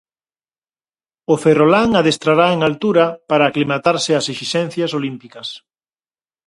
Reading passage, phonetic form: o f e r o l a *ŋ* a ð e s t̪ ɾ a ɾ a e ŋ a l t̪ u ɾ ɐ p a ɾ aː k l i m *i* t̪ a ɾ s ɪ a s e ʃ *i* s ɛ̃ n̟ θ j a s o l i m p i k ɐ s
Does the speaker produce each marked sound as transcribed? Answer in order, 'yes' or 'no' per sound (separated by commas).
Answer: yes, no, yes